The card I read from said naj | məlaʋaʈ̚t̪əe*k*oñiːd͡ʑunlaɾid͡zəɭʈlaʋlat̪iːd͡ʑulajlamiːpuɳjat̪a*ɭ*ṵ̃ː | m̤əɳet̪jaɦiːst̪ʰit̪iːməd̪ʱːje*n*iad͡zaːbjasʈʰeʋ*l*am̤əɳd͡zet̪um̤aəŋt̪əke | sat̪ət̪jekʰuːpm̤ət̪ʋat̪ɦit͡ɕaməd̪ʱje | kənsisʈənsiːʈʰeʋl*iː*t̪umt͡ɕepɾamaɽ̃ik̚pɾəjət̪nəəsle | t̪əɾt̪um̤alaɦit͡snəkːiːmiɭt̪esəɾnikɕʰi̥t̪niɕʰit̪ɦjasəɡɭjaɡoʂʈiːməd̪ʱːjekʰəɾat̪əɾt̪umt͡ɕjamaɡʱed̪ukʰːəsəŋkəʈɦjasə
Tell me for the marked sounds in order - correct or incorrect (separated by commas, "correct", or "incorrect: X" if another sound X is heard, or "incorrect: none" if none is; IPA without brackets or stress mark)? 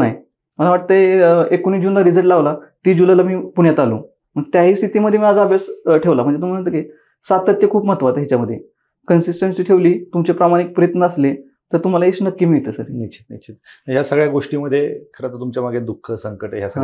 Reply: correct, incorrect: l, incorrect: m, correct, correct